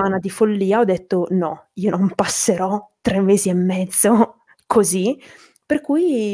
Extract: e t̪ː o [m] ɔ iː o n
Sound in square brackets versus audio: incorrect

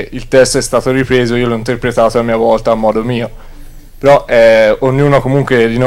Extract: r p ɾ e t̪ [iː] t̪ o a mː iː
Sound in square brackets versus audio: incorrect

